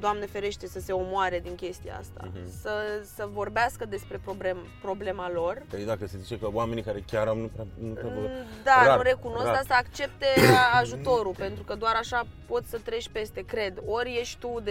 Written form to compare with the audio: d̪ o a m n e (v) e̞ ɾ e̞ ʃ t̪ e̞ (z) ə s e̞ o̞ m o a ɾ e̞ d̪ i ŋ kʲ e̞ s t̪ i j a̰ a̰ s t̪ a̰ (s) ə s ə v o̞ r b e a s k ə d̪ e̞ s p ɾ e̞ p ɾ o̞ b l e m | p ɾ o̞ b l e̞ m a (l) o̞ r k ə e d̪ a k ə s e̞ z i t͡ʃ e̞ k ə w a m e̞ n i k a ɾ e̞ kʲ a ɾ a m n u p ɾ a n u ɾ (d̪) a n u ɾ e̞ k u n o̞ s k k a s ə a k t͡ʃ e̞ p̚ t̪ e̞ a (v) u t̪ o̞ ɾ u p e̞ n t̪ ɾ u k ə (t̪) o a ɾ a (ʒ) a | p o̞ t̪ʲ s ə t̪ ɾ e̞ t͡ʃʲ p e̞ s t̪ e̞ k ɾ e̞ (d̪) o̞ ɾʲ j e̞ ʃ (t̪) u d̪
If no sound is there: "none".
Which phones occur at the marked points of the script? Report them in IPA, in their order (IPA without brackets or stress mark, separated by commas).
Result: f, s, s, l, d̪, ʒ, d̪, ʃ, d̪, t̪